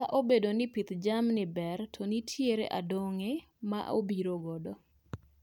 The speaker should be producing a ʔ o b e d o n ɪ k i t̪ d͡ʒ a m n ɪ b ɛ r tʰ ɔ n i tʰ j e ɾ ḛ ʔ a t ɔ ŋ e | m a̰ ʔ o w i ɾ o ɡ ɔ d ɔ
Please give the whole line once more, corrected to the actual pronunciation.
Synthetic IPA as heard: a ʔ o b e d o n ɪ p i t̪ d͡ʒ a m n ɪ b ɛ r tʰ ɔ n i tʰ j e ɾ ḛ ʔ a d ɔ ŋ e | m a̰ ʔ o b i ɾ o ɡ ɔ d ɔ

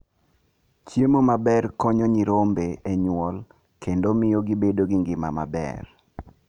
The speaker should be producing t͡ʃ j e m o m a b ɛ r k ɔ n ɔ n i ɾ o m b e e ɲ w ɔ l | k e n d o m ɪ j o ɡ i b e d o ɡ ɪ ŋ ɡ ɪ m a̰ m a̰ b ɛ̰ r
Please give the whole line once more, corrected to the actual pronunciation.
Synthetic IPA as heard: t͡ʃ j e m o m a b ɛ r k ɔ ɲ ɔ ɲ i ɾ o m b e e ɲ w ɔ l | k e n d o m ɪ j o ɡ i b e d o ɡ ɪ ŋ ɡ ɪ m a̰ m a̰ b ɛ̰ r

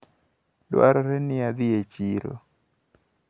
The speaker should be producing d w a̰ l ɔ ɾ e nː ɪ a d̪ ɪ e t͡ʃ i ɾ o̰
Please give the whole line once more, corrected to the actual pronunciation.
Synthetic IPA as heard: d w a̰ ɾ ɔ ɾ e n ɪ a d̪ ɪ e t͡ʃ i ɾ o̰

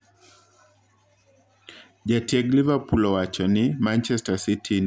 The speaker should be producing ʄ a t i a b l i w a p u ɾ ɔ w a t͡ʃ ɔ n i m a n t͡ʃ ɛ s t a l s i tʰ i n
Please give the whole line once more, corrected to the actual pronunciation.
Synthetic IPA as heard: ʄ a t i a ɡ l i v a p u l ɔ w a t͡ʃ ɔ n i m a n t͡ʃ ɛ s t a s i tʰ i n

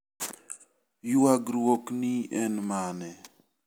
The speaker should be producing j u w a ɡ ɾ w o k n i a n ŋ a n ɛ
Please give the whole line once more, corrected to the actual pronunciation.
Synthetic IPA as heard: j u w a ɡ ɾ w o k n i ɛ n m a n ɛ

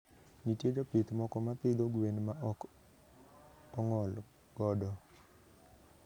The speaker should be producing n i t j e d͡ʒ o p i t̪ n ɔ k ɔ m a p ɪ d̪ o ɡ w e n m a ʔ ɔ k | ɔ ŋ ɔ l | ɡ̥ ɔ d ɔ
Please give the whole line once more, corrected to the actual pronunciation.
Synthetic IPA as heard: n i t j e d͡ʒ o p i t̪ m ɔ k ɔ m a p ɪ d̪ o ɡ w e n m a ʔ ɔ k | ɔ ŋ ɔ l | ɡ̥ ɔ d ɔ

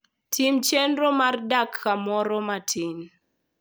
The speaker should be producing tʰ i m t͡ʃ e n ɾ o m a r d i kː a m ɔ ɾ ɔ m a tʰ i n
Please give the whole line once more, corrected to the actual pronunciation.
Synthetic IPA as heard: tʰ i m t͡ʃ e n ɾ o m a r d a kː a m ɔ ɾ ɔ m a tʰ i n

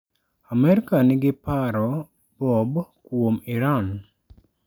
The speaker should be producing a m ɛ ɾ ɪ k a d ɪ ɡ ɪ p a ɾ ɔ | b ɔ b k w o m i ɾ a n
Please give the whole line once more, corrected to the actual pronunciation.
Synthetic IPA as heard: a m ɛ ɾ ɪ k a n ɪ ɡ ɪ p a ɾ ɔ | b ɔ b k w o m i ɾ a n

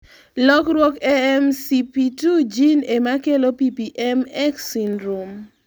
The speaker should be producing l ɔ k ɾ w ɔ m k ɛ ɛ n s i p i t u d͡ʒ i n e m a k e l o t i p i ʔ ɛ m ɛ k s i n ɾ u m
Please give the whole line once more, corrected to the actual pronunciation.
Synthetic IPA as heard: l ɔ k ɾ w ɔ k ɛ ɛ m s i p i t u d͡ʒ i n e m a k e l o p i p i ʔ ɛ m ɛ k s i n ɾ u m

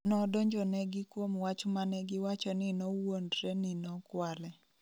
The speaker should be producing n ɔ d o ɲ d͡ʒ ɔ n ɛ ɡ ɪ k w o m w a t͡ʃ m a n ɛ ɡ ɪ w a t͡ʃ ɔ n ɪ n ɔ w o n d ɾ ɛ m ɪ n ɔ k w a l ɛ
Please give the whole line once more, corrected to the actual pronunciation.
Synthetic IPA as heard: n ɔ d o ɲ d͡ʒ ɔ n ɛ ɡ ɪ k w o m w a t͡ʃ m a n ɛ ɡ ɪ w a t͡ʃ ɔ n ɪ n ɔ w o n d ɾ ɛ n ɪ n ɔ k w a l ɛ

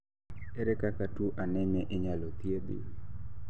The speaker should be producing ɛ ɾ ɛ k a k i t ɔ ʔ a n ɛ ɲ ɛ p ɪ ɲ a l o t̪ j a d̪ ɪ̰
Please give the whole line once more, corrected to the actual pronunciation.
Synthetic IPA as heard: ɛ ɾ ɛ k a k a t u ʔ a n ɛ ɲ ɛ ʔ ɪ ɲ a l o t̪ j e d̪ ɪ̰

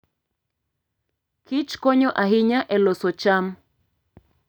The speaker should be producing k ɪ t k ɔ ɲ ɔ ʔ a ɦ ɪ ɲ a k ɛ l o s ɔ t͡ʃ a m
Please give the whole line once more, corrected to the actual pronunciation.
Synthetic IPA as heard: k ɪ t͡ʃ k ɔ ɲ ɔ ʔ a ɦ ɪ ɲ a ʔ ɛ l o s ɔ t͡ʃ a m

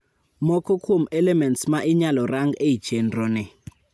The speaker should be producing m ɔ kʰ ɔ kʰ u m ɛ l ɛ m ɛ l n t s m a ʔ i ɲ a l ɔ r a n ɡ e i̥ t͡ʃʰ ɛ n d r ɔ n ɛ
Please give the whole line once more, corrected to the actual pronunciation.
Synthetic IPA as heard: m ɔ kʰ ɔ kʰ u m ɛ l ɛ m ɛ n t s m a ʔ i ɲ a l ɔ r a ŋ ɡ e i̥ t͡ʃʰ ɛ n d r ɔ n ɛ

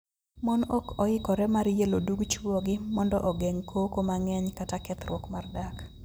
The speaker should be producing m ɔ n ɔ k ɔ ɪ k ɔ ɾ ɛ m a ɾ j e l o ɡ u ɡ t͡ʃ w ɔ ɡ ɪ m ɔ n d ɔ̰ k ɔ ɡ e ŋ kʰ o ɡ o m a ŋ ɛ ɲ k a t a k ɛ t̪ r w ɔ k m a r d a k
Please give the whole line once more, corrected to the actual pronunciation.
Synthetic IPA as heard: m ɔ n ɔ k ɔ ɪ k ɔ ɾ ɛ m a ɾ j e l o d u ɡ t͡ʃ w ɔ ɡ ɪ m ɔ n d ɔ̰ ʔ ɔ ɡ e ŋ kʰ o k o m a ŋ ɛ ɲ k a t a k ɛ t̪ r w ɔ k m a r d a k

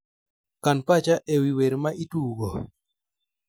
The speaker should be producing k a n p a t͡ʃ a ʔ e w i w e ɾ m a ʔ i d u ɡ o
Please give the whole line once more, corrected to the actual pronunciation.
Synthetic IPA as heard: k a n p a t͡ʃ a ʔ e w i w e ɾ m a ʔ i t u ɡ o

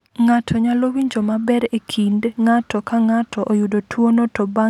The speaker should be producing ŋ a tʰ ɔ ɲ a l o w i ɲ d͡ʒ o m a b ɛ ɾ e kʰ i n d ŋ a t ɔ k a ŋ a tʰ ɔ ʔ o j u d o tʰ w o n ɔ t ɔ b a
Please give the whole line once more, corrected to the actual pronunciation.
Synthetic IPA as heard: ŋ a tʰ ɔ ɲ a l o w i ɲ d͡ʒ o m a b ɛ ɾ e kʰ i n d ŋ a t ɔ k a ŋ a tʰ ɔ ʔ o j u d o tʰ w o n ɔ t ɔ b a

